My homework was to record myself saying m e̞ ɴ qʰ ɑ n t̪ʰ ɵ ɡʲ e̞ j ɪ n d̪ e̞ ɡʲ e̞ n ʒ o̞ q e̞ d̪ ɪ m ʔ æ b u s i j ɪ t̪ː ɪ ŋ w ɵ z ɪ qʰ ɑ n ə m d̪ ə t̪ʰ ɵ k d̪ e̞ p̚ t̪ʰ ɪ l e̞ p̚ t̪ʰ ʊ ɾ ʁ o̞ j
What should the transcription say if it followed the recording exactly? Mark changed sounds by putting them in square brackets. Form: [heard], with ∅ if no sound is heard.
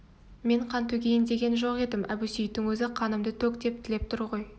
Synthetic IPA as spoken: m e̞ ɴ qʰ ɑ n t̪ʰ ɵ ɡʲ e̞ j ɪ n d̪ e̞ ɡʲ e̞ n ʒ o̞ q e̞ d̪ ɪ m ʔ æ b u s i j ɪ t̪ː ɪ ŋ w ɵ z ɪ qʰ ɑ n ə m d̪ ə t̪ʰ ɵ k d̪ e̞ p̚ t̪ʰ ɪ l e̞ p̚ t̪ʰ ʊ ɾ ʁ o̞ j